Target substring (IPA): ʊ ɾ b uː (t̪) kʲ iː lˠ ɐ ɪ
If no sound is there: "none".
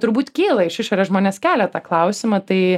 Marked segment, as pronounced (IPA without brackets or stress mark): t̪